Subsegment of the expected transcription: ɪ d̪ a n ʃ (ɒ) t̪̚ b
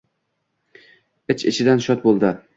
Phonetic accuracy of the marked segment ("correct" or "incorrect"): correct